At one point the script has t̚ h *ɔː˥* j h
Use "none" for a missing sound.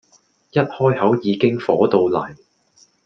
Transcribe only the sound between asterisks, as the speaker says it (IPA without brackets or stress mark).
ɔː˥